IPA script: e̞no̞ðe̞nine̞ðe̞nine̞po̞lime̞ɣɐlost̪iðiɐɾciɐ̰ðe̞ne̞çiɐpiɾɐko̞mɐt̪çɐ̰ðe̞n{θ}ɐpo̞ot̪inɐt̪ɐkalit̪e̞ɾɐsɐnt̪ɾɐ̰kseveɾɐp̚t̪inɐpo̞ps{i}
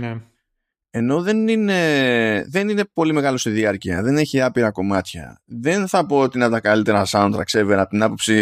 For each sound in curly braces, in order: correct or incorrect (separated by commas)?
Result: correct, correct